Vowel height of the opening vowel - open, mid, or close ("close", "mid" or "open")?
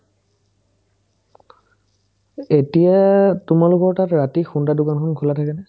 mid